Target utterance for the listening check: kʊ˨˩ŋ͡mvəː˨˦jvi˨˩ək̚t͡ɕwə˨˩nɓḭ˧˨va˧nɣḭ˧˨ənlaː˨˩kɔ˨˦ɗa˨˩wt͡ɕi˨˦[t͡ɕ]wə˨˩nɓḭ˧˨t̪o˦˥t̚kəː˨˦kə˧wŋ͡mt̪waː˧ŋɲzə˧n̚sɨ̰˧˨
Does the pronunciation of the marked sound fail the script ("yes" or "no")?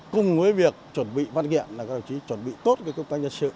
no